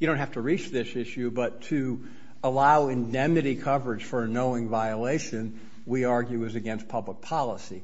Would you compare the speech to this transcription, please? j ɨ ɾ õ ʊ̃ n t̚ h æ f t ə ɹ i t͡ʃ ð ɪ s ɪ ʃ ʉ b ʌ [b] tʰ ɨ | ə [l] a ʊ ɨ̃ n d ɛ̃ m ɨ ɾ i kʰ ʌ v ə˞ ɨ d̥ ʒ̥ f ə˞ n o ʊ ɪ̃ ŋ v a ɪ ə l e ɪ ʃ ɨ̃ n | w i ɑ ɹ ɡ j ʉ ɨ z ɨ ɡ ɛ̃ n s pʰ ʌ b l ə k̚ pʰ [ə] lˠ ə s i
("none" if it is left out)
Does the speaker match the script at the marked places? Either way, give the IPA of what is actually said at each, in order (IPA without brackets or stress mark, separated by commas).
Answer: none, l, ɑ